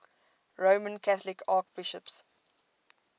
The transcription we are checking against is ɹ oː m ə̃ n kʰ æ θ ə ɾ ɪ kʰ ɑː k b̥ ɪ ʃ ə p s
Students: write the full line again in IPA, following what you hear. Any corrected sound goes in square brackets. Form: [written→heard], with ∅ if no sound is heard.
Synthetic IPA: ɹ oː m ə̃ n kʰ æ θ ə [ɾ→l] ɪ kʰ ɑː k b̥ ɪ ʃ ə p s